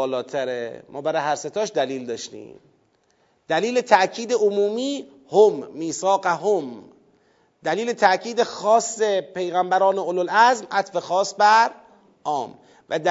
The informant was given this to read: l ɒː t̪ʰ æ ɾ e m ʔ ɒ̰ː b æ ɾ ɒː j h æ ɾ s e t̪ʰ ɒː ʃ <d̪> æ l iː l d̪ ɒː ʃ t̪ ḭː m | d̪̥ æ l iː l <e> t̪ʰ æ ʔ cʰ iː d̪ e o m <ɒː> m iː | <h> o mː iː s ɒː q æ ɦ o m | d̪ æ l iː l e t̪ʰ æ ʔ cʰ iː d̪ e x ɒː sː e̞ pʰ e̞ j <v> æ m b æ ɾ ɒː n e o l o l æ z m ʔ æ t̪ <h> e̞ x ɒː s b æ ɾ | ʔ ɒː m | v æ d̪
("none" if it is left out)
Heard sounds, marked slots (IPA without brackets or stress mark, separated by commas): d̪, e, uː, h, ɣ, f